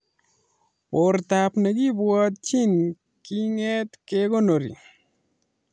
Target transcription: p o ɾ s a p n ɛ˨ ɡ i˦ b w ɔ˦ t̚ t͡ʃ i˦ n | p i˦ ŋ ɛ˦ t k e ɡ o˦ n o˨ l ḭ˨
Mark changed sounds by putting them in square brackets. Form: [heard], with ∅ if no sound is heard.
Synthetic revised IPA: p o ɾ [t] a p n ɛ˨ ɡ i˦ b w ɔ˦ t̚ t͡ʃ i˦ n | [k] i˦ ŋ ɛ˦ t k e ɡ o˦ n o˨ [ɾ] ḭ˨